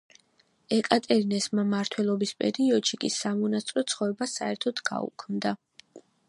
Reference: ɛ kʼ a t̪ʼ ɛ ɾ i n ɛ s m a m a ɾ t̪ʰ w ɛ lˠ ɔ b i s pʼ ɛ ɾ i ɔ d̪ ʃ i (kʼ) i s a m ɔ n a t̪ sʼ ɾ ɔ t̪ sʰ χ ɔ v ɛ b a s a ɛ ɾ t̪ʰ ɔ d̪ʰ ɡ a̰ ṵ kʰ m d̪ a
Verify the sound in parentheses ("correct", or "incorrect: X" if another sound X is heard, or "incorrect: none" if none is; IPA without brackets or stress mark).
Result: correct